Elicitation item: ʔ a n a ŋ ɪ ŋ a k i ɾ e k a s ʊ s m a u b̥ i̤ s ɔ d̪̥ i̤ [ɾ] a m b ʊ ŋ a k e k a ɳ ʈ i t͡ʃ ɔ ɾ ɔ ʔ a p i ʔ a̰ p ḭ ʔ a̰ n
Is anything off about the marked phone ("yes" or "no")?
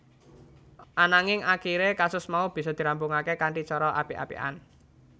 no